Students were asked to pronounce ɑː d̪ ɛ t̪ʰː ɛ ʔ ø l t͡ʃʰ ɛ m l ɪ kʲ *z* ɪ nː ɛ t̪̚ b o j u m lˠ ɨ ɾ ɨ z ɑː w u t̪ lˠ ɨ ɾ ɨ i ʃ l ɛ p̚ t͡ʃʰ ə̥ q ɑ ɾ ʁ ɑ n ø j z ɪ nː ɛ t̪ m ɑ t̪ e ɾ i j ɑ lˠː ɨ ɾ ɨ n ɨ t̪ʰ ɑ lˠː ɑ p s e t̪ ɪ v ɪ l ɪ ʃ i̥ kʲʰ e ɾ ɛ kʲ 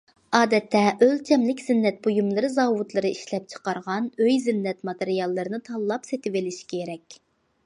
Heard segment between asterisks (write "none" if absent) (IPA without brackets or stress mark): z